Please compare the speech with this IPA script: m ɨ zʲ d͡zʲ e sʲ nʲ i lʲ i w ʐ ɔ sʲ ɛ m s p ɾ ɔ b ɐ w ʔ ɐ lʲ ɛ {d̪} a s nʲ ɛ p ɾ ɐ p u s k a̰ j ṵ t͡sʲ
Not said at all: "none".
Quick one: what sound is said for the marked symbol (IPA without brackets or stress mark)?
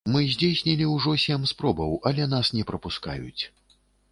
n̪